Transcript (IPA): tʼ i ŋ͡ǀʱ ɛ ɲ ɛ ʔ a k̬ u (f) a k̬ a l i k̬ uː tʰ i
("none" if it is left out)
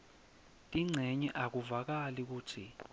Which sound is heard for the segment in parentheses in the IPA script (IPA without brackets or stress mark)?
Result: v